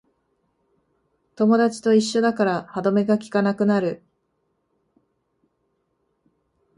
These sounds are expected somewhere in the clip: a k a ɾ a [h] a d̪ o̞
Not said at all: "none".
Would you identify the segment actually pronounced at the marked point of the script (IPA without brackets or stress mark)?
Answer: h